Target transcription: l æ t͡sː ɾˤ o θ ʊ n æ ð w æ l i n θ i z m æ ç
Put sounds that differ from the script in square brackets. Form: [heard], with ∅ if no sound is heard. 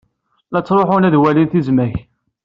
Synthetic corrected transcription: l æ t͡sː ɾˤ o [ħ] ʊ n æ ð w æ l i n θ i z m æ ç